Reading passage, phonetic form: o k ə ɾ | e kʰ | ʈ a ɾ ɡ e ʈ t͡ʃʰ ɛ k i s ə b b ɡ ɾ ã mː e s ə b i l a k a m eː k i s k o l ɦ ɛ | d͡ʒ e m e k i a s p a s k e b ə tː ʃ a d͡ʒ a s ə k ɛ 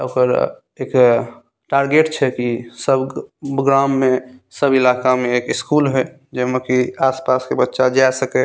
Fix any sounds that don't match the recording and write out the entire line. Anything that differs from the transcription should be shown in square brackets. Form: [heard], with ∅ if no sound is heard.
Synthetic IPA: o k ə ɾ | e [k] | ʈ a ɾ ɡ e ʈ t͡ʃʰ ɛ k i s ə b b ɡ ɾ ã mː e s ə b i l a k a m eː k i s k [u] l ɦ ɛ | d͡ʒ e m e k i a s p a s k e b ə tː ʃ a d͡ʒ a s ə k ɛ